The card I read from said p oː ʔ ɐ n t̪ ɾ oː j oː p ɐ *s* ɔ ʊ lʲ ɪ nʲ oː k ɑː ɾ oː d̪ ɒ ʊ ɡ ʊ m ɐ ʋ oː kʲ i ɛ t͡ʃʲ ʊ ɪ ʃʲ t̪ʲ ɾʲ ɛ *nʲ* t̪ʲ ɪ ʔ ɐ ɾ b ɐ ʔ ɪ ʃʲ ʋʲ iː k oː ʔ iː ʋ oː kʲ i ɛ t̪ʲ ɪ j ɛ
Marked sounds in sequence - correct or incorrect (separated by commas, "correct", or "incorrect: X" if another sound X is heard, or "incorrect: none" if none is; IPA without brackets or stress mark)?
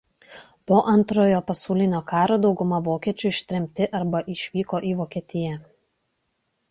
correct, incorrect: mʲ